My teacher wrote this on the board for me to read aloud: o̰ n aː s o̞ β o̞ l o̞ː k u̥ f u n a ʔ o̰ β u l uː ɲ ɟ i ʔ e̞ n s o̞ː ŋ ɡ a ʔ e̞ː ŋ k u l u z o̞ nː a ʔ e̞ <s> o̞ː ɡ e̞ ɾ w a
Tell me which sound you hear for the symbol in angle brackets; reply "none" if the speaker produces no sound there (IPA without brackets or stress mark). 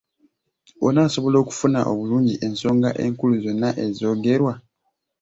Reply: z